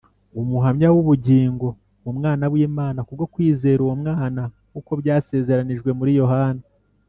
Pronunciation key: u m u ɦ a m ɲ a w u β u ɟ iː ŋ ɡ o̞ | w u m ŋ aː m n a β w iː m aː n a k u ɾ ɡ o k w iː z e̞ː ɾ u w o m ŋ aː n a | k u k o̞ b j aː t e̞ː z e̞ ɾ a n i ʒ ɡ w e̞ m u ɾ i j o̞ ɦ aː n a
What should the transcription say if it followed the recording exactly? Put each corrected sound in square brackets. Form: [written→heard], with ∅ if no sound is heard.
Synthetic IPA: u m u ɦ a m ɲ a w u β u ɟ iː ŋ ɡ o̞ | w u m ŋ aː [m→∅] n a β w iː m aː n a k u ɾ ɡ o k w iː z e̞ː ɾ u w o m ŋ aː n a | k u k o̞ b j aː [t→s] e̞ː z e̞ ɾ a n i ʒ ɡ w e̞ m u ɾ i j o̞ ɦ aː n a